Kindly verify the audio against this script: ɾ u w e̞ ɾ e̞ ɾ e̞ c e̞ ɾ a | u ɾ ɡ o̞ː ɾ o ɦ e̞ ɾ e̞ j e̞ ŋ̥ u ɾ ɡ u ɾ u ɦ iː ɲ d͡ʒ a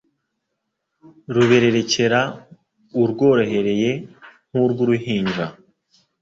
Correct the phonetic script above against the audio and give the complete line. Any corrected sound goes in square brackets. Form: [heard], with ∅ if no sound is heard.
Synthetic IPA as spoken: ɾ u [β] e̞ ɾ e̞ ɾ e̞ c e̞ ɾ a | u ɾ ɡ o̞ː ɾ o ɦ e̞ ɾ e̞ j e̞ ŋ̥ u ɾ ɡ u ɾ u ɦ iː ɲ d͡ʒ a